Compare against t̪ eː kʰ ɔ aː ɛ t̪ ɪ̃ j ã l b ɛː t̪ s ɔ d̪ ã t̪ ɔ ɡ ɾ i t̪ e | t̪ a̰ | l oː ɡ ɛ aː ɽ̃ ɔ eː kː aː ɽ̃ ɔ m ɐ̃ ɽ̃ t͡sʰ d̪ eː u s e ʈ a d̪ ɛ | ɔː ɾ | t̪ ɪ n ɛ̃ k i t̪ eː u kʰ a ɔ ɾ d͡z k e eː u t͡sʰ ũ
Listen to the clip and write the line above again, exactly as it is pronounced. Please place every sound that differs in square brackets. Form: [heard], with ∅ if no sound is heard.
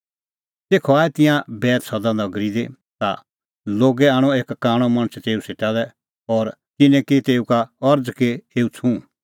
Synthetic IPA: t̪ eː kʰ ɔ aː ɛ t̪ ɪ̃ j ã [∅] b ɛː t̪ s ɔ d̪ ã [d̪] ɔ ɡ ɾ i [d̪] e | t̪ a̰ | l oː ɡ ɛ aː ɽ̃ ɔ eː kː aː ɽ̃ ɔ m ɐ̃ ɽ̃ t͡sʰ [t̪] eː u s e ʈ a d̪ ɛ | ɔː ɾ | t̪ ɪ n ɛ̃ k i t̪ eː u [k] a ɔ ɾ d͡z k e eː u t͡sʰ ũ